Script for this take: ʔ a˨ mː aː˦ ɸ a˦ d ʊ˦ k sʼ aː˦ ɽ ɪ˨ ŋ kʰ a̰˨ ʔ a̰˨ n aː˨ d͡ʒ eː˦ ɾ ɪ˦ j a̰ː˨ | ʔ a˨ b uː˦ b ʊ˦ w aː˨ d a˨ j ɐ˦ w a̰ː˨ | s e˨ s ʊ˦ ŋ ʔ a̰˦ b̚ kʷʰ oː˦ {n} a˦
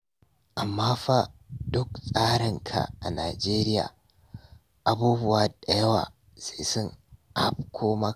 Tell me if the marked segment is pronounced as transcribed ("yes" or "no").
no